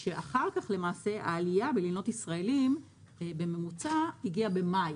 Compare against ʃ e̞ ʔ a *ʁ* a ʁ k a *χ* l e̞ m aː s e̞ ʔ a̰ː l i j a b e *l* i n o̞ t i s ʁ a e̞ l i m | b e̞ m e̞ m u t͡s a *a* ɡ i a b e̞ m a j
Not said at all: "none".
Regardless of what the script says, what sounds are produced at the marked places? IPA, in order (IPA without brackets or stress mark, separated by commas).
χ, χ, l, i